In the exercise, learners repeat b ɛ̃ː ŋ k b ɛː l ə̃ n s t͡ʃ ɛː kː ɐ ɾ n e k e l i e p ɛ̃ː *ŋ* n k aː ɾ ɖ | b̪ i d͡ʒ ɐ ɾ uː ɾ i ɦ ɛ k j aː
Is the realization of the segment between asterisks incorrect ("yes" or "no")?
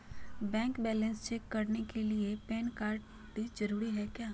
yes